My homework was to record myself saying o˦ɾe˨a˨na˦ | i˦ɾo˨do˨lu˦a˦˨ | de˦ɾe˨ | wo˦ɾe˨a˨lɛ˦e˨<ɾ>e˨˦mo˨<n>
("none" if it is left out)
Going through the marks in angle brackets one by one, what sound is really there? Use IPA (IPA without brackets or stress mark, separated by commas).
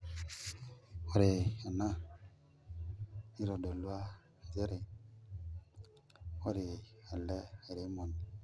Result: ɾ, n